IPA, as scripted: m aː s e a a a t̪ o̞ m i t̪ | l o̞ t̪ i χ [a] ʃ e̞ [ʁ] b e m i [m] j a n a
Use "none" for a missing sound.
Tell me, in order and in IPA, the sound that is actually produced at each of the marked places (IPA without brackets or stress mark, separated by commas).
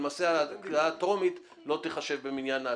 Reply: a, v, n